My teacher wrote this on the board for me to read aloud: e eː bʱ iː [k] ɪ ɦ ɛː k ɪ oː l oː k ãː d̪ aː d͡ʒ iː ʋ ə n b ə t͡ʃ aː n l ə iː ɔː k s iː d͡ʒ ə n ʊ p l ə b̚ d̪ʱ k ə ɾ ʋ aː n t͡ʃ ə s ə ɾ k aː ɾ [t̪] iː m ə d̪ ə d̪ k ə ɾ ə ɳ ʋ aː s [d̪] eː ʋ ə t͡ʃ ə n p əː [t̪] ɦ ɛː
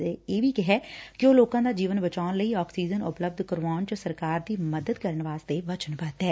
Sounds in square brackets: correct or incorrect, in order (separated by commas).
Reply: correct, incorrect, incorrect, correct